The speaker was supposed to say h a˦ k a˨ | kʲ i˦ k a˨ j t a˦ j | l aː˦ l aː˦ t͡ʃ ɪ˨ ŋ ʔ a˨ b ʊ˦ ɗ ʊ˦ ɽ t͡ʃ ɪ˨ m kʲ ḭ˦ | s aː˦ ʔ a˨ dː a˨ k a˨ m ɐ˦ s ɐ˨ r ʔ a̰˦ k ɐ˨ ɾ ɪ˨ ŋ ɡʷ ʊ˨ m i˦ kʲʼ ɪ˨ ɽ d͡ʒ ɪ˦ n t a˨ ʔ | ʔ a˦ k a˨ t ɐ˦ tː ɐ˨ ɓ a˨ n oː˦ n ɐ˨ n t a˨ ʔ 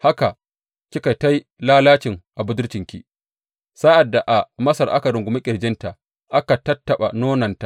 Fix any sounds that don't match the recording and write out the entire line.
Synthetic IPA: h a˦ k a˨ | kʲ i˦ k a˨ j t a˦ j | l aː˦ l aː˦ t͡ʃ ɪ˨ ŋ ʔ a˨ b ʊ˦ d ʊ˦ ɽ t͡ʃ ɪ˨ ŋ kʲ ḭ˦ | s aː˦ ʔ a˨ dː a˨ ʔ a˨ m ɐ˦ s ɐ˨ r ʔ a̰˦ k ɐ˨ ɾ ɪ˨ ŋ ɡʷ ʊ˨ m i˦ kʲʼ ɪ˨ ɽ d͡ʒ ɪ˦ n t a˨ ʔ | ʔ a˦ k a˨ t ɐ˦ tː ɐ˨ ɓ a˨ n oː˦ n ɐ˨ n t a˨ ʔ

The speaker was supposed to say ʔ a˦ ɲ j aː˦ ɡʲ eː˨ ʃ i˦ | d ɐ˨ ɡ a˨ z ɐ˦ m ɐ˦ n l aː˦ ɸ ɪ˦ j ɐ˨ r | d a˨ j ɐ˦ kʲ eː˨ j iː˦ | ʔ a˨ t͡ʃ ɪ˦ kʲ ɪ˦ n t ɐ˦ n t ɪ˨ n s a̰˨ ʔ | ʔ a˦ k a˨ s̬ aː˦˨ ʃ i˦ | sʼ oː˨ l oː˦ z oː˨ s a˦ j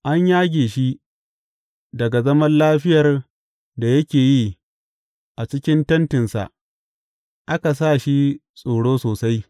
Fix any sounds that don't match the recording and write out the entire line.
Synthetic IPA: ʔ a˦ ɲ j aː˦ ɡʲ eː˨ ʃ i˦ | d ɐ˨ ɡ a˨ z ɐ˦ m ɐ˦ n l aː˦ ɸ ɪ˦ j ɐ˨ r | d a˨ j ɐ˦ kʲ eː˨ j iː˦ | ʔ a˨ t͡ʃ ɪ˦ kʲ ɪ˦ n t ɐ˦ n t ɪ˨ n s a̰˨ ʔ | ʔ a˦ k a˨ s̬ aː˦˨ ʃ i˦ | sʼ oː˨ ɽ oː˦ s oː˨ s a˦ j

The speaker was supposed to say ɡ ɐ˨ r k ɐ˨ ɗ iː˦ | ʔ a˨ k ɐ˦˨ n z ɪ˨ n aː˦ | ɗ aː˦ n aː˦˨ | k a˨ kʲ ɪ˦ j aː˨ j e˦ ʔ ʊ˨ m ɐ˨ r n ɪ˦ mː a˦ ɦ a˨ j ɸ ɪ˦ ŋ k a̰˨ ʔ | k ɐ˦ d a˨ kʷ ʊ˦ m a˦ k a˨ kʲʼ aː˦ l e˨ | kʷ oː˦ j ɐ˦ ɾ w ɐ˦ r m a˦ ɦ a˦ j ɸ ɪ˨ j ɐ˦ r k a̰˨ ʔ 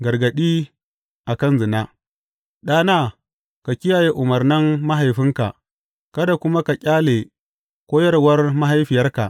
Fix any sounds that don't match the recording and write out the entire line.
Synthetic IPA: ɡ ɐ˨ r ɡ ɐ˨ ɗ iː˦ | ʔ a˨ k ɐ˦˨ n z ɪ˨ n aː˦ | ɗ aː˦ n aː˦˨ | k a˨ kʲ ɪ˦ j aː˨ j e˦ ʔ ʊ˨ m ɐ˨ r n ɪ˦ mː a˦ ɦ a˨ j ɸ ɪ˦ ŋ k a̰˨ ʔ | k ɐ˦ d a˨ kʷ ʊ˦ m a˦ k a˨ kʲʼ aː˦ l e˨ | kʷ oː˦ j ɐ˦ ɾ w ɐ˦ r m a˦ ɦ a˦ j ɸ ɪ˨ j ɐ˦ r k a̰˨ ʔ

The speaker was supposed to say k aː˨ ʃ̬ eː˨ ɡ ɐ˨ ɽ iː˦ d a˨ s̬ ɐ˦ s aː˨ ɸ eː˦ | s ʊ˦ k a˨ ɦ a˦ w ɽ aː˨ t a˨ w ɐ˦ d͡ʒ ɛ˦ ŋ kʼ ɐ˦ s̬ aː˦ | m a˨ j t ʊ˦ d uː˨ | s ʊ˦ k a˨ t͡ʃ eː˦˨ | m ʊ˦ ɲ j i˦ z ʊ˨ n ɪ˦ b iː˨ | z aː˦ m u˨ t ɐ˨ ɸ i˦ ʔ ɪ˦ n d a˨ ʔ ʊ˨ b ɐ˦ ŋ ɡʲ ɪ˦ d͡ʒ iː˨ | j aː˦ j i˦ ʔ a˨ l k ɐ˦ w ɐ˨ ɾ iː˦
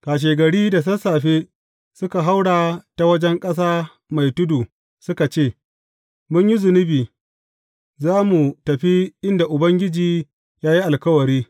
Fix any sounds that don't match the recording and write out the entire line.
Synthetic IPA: k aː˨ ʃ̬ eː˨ ɡ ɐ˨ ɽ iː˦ d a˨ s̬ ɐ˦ s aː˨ ɸ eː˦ | s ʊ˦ k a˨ ɦ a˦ w ɽ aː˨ t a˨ w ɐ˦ d͡ʒ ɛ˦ ŋ kʼ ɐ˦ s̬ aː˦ | m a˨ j t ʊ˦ d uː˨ | s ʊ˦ k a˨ t͡ʃ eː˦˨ | m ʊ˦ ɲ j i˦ z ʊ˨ n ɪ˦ b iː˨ | z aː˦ m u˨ t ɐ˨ ɸ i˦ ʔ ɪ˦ n d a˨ ʔ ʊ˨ b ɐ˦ ŋ ɡʲ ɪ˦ d͡ʒ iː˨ | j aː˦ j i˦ ʔ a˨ l k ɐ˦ w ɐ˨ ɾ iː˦

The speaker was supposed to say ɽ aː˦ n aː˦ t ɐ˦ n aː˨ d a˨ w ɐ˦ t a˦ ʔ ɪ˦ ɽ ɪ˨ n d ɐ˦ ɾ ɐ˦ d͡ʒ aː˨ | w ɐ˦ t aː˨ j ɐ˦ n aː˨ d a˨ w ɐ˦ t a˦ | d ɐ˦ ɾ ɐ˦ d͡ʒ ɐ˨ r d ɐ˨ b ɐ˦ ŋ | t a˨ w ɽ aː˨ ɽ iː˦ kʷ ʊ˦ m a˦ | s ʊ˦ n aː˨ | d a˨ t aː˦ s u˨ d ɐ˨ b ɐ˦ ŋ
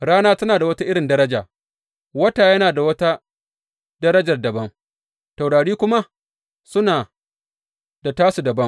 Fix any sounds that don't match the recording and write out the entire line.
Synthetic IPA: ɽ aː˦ n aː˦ t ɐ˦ n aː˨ d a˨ w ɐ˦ t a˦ ʔ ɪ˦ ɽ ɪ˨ n d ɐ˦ ɾ ɐ˦ d͡ʒ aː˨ | w ɐ˦ t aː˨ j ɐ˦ n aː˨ d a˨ w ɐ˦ t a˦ | d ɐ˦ ɾ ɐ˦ d͡ʒ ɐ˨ r d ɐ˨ b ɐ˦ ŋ | t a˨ w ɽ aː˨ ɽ iː˦ kʷ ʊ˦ m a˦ | s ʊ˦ n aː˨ | d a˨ t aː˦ s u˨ d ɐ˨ b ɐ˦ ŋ

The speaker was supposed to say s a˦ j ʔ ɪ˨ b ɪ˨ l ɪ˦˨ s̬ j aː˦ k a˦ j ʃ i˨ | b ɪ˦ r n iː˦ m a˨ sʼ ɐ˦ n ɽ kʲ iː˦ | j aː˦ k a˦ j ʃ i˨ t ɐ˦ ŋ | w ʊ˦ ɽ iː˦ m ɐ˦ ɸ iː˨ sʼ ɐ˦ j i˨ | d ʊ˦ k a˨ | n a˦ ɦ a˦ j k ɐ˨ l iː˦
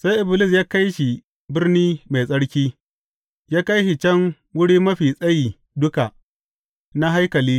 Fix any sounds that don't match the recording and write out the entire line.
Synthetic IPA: s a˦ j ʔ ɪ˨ b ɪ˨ l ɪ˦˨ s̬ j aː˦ k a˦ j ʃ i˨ | b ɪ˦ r n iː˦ m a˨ sʼ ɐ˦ ɽ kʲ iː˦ | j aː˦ k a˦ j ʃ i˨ t͡ʃ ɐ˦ ŋ | w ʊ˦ ɽ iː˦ m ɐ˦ ɸ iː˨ sʼ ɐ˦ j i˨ | d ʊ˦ k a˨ | n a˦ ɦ a˦ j k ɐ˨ l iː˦

